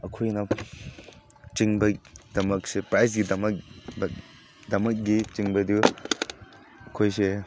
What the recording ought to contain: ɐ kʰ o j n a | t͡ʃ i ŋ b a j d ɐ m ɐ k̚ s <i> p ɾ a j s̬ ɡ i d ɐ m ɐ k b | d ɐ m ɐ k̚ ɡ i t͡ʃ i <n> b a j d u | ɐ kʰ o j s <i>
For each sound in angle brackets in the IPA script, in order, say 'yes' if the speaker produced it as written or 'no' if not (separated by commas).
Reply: no, no, no